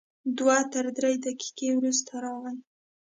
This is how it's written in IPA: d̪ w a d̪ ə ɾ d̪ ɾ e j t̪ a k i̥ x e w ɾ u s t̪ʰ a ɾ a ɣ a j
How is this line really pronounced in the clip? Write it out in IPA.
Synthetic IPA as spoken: d̪ w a t̪ ə ɾ d̪ ɾ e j d̪ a k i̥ k e w ɾ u s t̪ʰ a ɾ ɑ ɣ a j